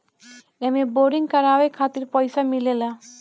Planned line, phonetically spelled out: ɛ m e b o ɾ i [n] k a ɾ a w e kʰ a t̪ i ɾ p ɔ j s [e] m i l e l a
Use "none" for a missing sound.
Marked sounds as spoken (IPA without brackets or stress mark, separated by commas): ŋ, a